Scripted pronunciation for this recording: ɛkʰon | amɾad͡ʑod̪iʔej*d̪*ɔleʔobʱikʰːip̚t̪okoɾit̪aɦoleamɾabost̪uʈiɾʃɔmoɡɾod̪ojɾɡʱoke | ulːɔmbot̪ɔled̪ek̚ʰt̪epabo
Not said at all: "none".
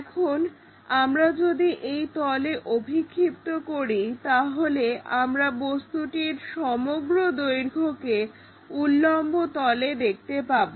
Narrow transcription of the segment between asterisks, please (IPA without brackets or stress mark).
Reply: t̪